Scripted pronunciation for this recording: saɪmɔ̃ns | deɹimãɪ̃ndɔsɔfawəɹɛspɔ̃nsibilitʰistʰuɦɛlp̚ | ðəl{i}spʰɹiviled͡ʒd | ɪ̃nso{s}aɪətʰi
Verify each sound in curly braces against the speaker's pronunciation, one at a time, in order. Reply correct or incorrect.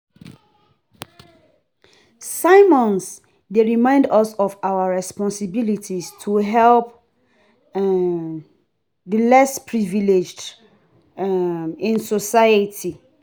incorrect, correct

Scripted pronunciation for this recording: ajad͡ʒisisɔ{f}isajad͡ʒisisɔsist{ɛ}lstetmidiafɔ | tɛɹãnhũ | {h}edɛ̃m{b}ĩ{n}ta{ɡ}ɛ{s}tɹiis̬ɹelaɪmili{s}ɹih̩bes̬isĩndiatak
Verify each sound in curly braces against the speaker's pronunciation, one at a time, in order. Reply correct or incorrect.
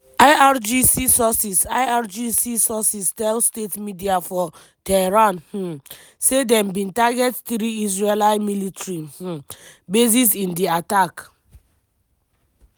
incorrect, correct, incorrect, correct, correct, correct, incorrect, incorrect

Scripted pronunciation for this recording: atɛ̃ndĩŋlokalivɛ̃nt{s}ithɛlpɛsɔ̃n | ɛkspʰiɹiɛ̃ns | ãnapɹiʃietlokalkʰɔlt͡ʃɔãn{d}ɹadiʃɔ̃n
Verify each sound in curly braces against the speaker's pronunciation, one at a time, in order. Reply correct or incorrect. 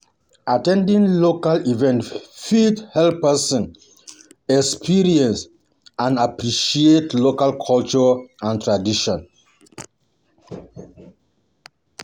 incorrect, incorrect

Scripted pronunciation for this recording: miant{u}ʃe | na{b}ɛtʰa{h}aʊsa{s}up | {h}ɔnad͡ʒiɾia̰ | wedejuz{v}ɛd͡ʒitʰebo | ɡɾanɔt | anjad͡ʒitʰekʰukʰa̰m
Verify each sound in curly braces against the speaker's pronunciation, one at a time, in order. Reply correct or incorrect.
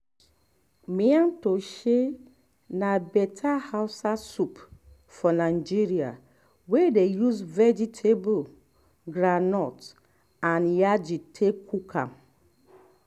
incorrect, correct, correct, correct, incorrect, correct

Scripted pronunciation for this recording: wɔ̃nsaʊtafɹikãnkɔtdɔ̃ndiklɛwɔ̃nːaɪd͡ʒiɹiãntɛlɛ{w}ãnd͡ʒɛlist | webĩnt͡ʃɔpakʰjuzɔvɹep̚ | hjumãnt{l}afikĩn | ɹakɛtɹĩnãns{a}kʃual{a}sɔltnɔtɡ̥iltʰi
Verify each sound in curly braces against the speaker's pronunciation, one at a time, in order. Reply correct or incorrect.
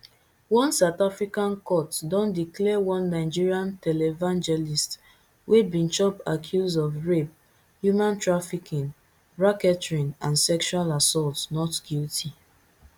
incorrect, incorrect, incorrect, correct

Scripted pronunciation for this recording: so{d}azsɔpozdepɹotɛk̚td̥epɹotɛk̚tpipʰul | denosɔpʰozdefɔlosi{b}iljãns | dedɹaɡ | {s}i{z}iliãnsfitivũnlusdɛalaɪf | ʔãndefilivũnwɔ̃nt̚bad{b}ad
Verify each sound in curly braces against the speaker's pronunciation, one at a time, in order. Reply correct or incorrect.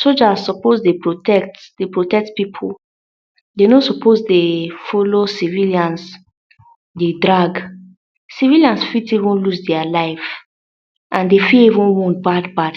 incorrect, incorrect, correct, incorrect, correct

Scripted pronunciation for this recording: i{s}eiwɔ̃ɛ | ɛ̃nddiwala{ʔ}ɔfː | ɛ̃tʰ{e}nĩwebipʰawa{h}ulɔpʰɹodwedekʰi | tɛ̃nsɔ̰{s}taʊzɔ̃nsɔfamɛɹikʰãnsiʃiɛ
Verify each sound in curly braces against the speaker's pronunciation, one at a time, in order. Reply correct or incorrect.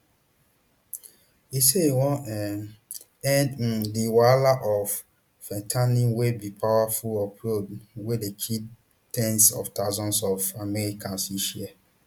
correct, correct, incorrect, incorrect, incorrect

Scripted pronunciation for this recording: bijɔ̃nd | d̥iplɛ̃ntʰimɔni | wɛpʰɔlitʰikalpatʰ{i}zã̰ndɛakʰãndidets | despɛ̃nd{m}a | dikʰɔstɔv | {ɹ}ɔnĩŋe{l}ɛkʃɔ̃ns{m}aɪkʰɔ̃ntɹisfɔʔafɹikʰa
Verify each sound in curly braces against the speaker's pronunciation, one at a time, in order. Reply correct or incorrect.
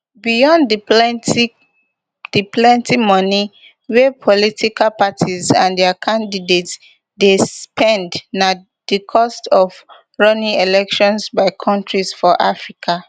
correct, incorrect, correct, correct, incorrect

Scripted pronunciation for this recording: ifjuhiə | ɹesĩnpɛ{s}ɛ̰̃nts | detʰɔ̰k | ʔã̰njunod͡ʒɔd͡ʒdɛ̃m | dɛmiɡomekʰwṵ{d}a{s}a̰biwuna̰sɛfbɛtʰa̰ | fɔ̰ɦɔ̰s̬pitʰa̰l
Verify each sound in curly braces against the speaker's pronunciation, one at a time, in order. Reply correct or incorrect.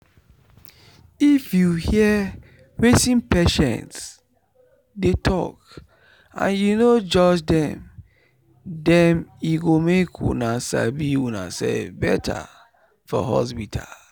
incorrect, incorrect, correct

